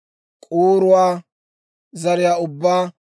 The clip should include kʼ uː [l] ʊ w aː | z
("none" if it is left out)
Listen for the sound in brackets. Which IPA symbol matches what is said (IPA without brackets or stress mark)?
ɾ